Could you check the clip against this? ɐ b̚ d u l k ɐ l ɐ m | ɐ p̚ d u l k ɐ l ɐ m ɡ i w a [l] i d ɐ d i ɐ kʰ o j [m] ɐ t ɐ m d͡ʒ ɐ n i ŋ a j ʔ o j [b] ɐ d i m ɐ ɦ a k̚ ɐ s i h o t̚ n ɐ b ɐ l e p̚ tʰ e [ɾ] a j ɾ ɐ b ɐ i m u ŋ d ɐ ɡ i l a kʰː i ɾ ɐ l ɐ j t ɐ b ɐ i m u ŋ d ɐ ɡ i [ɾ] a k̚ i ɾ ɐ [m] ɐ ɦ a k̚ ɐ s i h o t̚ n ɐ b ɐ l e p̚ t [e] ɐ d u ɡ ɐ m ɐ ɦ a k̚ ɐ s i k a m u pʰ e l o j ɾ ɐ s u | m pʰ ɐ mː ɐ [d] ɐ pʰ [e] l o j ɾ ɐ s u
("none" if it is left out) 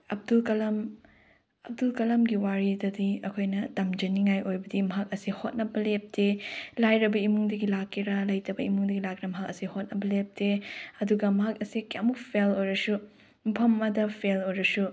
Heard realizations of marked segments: ɾ, n, b, l, l, m, e, d, e

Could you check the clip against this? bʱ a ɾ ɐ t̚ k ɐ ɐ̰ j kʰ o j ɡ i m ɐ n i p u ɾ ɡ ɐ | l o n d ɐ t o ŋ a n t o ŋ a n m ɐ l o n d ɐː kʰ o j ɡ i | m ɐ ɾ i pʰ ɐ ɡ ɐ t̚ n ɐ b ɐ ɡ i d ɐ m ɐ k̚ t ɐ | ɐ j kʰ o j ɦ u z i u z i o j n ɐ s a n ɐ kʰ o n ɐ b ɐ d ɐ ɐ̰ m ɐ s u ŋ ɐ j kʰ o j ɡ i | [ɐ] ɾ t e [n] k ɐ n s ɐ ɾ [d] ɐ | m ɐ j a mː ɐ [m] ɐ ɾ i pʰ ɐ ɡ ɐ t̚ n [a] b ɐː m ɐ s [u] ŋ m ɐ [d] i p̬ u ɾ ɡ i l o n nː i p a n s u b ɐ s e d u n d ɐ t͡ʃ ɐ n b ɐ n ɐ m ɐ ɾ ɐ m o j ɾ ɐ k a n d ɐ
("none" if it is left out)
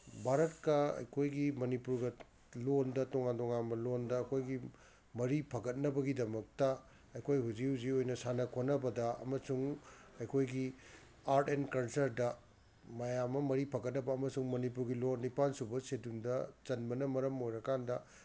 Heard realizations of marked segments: a, n, d, m, ɐ, u, n

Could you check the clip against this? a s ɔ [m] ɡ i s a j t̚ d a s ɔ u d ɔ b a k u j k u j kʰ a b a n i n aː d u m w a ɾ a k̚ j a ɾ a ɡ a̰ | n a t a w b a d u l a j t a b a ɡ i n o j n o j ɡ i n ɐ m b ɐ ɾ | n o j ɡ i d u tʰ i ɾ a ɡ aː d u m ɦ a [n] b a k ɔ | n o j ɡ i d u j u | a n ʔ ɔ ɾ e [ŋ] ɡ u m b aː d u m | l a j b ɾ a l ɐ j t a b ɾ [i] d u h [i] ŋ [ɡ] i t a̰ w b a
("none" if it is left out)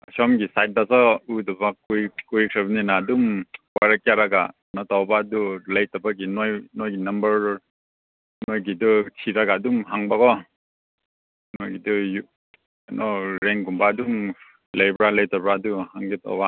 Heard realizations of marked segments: m, ŋ, ŋ, a, a, ɡ

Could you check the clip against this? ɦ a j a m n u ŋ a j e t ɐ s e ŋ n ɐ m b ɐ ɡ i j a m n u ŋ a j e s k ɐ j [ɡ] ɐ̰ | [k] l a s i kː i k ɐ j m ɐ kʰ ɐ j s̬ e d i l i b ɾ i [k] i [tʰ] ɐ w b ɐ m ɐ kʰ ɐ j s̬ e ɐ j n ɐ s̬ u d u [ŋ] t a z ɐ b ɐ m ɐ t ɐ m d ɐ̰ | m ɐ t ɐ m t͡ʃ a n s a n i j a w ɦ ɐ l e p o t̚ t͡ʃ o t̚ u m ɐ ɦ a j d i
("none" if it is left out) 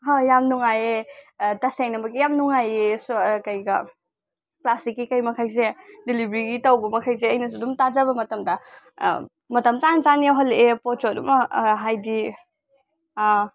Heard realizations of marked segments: ɡ, k, ɡ, t, m

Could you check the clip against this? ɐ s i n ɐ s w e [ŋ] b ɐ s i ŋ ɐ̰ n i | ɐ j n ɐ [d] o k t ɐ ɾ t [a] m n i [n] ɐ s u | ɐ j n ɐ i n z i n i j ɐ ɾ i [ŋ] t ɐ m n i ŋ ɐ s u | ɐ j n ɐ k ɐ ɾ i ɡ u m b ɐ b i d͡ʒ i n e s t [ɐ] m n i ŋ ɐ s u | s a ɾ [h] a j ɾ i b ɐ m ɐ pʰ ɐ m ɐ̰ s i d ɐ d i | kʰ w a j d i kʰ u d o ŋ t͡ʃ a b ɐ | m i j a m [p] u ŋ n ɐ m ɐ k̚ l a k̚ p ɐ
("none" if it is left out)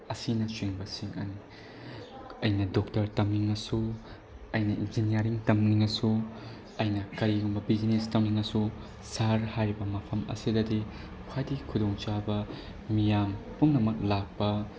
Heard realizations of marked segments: ŋ, d, ɐ, ŋ, ŋ, ɐ, h, p

